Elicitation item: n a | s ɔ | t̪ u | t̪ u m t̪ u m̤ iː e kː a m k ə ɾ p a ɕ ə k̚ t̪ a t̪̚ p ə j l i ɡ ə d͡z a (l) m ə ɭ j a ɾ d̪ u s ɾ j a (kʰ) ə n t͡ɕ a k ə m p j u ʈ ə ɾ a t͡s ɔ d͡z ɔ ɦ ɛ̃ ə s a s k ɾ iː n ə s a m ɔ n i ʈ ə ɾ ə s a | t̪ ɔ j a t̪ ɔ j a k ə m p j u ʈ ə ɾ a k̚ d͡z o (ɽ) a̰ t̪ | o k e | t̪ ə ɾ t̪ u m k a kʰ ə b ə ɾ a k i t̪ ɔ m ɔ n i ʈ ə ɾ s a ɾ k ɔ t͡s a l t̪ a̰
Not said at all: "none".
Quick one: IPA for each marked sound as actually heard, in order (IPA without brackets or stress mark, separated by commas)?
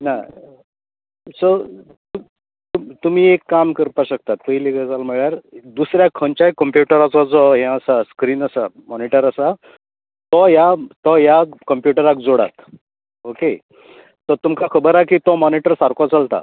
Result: l, kʰ, ɽ